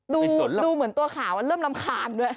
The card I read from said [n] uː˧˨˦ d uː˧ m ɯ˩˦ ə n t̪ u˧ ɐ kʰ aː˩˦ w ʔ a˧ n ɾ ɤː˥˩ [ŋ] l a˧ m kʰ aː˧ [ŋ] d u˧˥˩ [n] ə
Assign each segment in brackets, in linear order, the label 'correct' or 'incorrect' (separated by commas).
incorrect, incorrect, incorrect, incorrect